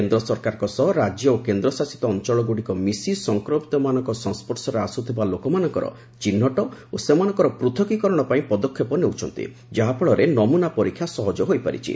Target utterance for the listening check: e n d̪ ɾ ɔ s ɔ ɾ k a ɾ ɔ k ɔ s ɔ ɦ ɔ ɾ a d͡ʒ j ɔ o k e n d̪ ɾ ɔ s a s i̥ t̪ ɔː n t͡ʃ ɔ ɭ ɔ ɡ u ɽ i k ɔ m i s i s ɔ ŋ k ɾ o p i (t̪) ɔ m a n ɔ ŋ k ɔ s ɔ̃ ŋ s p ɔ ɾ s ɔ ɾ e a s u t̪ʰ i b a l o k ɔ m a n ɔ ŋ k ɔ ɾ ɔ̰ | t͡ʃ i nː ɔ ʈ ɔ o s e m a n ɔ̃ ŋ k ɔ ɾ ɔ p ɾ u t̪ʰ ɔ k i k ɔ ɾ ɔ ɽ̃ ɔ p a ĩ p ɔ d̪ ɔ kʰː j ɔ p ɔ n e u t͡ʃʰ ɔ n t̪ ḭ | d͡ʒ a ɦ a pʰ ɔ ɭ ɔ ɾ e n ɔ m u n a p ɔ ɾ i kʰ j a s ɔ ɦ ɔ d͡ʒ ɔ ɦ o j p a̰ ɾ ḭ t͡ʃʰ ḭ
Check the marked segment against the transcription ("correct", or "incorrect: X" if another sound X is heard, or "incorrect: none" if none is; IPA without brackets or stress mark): correct